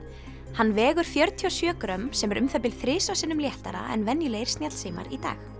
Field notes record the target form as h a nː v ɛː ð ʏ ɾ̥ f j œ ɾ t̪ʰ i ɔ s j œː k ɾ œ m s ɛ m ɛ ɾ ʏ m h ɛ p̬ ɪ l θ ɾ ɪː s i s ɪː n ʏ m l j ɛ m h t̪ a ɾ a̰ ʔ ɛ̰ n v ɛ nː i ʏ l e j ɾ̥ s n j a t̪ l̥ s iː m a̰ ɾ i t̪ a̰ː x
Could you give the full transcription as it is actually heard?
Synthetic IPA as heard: h a nː v ɛː ɣ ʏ ɾ̥ f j œ ɾ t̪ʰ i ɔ s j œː k ɾ œ m s ɛ m ɛ ɾ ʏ m θ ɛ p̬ ɪ l θ ɾ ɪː s a s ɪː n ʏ m l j ɛ h t̪ a ɾ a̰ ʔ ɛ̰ n v ɛ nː j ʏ l e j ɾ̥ s n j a t̪ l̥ s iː m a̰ ɾ i t̪ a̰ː x

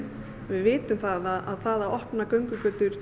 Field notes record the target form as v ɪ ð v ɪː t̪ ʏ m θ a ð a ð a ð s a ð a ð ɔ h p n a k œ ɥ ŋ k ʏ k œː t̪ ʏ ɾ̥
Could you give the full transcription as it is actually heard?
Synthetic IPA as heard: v ɪ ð v ɪː t̪ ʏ m θ a ð a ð a ð θ a ð a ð ɔ h p n a k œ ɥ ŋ k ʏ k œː t̪ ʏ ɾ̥

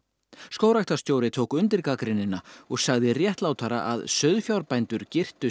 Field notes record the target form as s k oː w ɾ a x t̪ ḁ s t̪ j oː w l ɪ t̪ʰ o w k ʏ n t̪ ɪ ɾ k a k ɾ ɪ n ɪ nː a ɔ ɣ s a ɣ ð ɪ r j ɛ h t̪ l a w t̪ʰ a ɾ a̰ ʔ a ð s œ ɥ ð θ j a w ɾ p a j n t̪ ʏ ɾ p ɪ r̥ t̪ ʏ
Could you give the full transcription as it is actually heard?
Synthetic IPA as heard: s k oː w ɾ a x t̪ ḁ s t̪ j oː w ɾ ɪ t̪ʰ o w k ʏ n t̪ ɪ ɾ k a k ɾ ɪ n ɪ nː a ɔ ɣ s a ɣ ð ɪ r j ɛ h t̪ l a w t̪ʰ a ɾ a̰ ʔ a ð s œ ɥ ð f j a w ɾ p a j n t̪ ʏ ɾ c ɪ r̥ t̪ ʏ

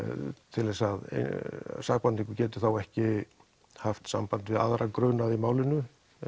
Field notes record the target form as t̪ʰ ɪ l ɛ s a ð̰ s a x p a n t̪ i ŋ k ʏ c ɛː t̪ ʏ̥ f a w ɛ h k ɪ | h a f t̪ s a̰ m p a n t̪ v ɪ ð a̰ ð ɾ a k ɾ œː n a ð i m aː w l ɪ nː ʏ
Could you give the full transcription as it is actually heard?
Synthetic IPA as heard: t̪ʰ ɪ l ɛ s a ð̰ s a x p a n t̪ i ŋ k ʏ c ɛː t̪ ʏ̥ θ a w ɛ h c ɪ | h a f t̪ s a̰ m p a n t̪ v ɪ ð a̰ ð ɾ a k ɾ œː n a ð i m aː w l ɪ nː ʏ

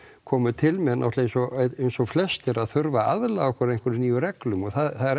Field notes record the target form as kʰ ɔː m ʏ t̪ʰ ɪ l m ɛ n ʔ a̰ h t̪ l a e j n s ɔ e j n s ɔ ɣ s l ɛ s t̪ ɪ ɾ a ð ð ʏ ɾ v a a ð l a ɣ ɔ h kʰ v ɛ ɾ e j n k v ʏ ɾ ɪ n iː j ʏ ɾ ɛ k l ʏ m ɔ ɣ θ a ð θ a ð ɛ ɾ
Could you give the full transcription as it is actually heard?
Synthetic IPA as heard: kʰ ɔː m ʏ t̪ʰ ɪ l m ɛ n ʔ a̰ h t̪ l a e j n s ɔ e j n s ɔ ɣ f l ɛ s t̪ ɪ ɾ a ð θ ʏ ɾ v a a ð l a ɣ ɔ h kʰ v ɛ ɾ e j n k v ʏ ɾ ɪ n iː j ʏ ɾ ɛ k l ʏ m ɔ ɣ θ a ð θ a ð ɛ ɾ

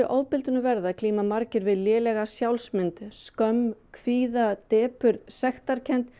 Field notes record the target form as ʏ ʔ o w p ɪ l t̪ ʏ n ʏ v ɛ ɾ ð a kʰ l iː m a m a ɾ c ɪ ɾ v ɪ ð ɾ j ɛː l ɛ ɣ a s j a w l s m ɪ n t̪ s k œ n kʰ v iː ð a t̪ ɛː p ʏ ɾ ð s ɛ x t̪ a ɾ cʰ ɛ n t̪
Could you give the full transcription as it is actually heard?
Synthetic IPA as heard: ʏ ʔ o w p ɪ l t̪ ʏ n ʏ v ɛ ɾ ð a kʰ l iː m a m a ɾ c ɪ ɾ v ɪ ð l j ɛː l ɛ ɣ a s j a w l s m ɪ n t̪ s k œ m kʰ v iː ð a t̪ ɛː p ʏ ɾ ð s ɛ x t̪ a ɾ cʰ ɛ n t̪

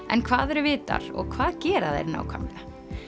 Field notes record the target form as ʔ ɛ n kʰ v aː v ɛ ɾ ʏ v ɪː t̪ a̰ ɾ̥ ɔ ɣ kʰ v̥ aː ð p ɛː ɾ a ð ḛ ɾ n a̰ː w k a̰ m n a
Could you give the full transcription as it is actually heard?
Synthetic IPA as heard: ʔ ɛ n kʰ v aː ð ɛ ɾ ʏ v ɪː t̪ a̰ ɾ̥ ɔ ɣ kʰ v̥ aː ð c ɛː ɾ a ð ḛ ɾ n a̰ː w kʰ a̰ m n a

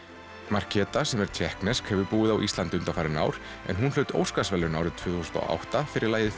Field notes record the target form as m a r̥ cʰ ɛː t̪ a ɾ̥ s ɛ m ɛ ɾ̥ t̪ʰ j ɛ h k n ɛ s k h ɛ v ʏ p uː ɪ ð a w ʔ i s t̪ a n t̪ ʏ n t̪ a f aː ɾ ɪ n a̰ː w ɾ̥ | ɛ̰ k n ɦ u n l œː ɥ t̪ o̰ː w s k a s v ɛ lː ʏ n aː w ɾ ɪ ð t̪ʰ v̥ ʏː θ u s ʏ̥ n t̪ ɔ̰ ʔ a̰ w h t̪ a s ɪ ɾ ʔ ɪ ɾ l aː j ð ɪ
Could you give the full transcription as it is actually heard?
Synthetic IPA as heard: m a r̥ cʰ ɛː t̪ a s ɛ m ɛ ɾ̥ t̪ʰ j ɛ h k n ɛ s k h ɛ v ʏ p uː ɪ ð a w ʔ i s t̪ a n t̪ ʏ n t̪ a f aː ɾ ɪ n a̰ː w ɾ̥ | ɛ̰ n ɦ u n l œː ɥ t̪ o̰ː w s k a s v ɛ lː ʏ n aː w ɾ ɪ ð t̪ʰ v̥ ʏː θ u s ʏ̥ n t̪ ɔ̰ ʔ a̰ w h t̪ a f ɪ ɾ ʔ ɪ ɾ l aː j ð ɪ

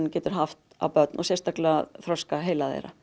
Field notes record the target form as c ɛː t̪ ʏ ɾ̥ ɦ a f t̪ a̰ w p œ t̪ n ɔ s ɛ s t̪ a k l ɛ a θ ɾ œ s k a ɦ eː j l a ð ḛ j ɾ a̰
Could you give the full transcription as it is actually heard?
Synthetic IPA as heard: c ɛː t̪ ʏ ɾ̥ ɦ a f t̪ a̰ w p œ t̪ n ɔ s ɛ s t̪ a k l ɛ a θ ɾ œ s k a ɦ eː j l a ð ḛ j ɾ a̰

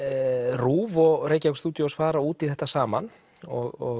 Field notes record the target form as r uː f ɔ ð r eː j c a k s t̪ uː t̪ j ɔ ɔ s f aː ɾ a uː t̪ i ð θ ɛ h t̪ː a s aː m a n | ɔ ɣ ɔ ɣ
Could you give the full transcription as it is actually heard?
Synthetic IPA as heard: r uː v ɔ ɣ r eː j c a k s t̪ uː t̪ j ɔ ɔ s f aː ɾ a uː t̪ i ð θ ɛ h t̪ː a s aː m a n | ɔ ɣ ɔ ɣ

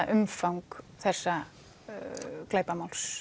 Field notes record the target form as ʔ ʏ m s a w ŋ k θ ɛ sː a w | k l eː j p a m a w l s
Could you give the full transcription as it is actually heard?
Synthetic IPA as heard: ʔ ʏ m f a w ŋ k θ ɛ sː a | k l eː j p a m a w l s

